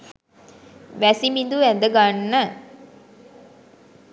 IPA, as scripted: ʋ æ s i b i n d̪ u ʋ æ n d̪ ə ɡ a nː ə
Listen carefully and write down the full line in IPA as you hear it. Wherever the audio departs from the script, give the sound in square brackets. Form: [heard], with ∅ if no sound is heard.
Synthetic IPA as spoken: ʋ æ s i [m] i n d̪ u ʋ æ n d̪ ə ɡ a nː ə

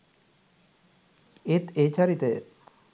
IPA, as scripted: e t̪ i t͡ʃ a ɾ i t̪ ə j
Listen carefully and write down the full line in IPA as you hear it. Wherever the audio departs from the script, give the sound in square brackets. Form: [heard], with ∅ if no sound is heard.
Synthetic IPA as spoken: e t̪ [e] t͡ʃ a ɾ i t̪ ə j

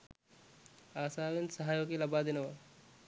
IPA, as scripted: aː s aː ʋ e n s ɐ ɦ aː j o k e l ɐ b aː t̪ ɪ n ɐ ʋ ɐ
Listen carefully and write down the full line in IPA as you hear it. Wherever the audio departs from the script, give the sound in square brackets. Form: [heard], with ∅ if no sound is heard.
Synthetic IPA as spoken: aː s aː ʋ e n s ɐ ɦ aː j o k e l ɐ b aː [d̪] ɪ n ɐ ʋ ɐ

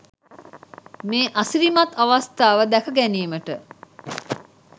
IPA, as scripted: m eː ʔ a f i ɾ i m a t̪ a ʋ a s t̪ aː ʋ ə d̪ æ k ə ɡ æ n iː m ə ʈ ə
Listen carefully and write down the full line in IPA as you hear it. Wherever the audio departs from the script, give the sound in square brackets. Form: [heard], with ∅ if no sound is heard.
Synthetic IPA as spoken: m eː ʔ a [s] i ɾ i m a t̪ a ʋ a s t̪ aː ʋ ə d̪ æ k ə ɡ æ n iː m ə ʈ ə

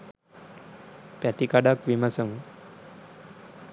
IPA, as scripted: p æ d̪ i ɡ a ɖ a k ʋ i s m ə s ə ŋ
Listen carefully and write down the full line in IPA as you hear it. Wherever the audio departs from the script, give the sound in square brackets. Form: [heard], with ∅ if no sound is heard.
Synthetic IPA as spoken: p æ [t̪] i [k] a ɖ a k ʋ i [∅] m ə s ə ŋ

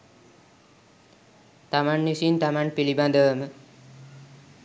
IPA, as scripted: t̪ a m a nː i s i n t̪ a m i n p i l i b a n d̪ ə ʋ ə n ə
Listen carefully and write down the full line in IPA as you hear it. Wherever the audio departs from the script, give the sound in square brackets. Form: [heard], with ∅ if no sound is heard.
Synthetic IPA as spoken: t̪ a m a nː i s i n t̪ a m [a] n p i l i b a n d̪ ə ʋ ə [m] ə

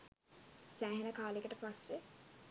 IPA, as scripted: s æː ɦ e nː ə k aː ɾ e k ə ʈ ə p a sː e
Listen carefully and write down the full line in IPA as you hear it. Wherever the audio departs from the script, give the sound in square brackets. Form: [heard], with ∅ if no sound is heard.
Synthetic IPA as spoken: s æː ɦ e [n] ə k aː [l] e k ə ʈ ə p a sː e

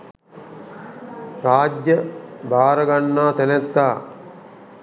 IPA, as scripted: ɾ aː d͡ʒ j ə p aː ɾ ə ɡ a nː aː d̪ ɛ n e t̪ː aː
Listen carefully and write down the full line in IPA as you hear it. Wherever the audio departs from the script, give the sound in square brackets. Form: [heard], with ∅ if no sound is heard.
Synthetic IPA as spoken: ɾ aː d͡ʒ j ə [b] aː ɾ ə ɡ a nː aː [t̪] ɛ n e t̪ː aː

